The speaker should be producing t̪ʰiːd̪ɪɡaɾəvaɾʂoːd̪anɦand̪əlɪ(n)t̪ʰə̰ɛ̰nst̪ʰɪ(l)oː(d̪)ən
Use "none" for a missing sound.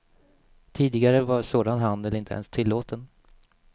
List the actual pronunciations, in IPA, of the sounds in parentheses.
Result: n, lː, t̪

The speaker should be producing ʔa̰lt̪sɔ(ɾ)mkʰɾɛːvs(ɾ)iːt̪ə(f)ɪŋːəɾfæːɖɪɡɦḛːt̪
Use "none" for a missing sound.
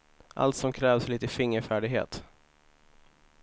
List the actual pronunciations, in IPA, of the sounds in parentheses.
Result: none, l, f

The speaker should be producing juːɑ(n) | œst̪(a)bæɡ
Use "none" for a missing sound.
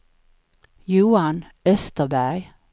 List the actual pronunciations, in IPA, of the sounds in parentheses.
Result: n, ə

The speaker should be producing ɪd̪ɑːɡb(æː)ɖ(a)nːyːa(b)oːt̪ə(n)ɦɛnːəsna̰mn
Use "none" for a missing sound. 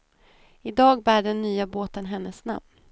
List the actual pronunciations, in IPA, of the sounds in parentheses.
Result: æː, ɛ, b, n

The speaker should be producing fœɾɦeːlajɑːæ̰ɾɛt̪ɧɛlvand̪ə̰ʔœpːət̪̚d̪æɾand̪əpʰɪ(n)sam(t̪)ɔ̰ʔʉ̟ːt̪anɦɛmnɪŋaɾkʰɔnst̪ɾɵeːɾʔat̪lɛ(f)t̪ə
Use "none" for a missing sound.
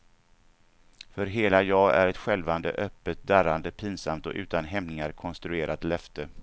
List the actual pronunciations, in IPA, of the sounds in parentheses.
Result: n, t̪, f

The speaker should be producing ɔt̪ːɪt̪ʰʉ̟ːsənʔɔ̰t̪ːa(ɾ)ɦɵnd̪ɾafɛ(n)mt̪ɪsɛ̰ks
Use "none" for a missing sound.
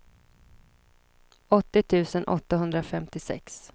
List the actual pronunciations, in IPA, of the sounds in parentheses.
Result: none, none

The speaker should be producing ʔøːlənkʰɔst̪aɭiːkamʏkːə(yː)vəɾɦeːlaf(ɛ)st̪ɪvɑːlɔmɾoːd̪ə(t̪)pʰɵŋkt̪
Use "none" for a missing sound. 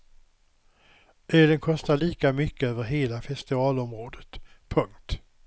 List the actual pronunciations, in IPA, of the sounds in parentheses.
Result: øː, ɛ, t̪

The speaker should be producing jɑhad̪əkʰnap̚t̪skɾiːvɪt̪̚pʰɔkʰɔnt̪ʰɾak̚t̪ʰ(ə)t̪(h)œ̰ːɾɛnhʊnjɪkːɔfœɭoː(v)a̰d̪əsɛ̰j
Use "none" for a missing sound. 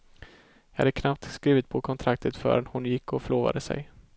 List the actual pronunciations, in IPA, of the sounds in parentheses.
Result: ə, f, v

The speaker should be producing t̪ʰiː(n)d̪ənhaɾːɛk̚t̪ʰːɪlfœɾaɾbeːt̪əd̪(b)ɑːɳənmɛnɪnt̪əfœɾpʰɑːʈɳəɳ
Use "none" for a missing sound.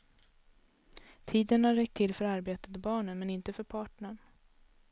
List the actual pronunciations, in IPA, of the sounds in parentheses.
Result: none, b

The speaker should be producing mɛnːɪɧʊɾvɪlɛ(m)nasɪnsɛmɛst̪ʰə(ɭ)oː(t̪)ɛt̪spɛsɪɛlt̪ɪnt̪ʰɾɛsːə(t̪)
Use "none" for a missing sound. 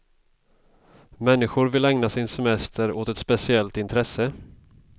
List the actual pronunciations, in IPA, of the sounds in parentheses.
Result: ŋ, ɾ, t̪, none

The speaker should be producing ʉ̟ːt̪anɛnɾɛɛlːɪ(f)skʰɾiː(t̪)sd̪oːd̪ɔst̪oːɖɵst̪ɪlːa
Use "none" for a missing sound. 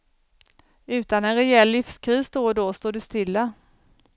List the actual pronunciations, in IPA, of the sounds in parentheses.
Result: f, none

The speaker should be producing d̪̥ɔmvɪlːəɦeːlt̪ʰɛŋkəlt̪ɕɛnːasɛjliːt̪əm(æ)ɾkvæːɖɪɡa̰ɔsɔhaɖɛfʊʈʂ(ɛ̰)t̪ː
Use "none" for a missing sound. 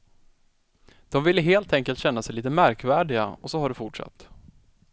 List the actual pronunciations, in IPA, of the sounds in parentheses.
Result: æ, a̰

